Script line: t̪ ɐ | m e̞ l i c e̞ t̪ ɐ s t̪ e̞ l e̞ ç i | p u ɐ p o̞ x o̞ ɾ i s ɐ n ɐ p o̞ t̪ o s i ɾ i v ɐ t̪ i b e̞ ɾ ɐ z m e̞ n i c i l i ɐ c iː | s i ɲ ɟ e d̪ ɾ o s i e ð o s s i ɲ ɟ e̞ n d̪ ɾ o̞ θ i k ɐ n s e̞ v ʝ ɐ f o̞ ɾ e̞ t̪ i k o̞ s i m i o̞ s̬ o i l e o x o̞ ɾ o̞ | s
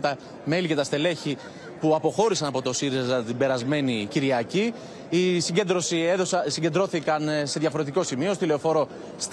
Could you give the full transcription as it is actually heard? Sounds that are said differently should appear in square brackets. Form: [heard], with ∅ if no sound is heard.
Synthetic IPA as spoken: t̪ ɐ | m e̞ l i c e̞ t̪ ɐ s t̪ e̞ l e̞ ç i | p u ɐ p o̞ x o̞ ɾ i s ɐ n ɐ p o̞ t̪ o s i ɾ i [z] ɐ t̪ i b e̞ ɾ ɐ z m e̞ n i c i [ɾ] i ɐ c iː | s i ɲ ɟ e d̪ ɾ o s i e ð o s s i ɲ ɟ e̞ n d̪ ɾ o̞ θ i k ɐ n s e̞ [ð] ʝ ɐ f o̞ ɾ e̞ t̪ i k o̞ s i m i o̞ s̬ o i l e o [f] o̞ ɾ o̞ | s